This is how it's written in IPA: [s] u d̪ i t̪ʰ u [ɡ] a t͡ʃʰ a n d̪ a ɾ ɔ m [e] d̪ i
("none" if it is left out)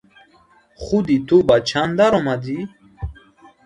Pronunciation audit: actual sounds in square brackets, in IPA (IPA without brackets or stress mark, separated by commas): χ, b, a